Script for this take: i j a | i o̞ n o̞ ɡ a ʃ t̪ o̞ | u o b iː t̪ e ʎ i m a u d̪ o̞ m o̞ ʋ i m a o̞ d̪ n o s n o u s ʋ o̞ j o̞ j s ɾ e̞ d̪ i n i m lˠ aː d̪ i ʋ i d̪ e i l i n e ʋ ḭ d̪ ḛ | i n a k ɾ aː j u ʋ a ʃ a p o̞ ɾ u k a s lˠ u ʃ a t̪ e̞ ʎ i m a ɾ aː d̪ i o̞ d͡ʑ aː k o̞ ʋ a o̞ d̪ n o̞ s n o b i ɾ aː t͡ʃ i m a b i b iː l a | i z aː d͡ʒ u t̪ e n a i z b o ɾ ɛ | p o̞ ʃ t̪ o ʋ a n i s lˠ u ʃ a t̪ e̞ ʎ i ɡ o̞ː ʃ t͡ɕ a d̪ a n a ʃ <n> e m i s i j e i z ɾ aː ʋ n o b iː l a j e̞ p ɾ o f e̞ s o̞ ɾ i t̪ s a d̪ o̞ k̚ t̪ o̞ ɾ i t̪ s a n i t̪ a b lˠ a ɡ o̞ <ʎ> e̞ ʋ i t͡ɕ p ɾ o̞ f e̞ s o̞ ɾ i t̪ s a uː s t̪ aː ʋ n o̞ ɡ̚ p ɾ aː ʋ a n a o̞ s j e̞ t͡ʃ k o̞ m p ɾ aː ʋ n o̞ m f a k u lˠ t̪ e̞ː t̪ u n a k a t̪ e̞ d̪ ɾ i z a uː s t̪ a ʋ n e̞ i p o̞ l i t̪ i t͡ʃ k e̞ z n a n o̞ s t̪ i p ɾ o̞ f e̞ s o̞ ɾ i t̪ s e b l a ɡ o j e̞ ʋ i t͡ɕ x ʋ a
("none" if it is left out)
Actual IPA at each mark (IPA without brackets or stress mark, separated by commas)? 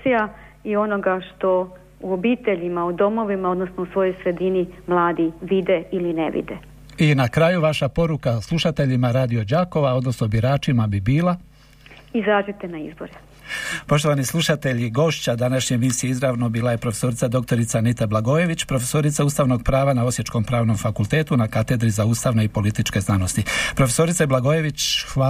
ɲ, j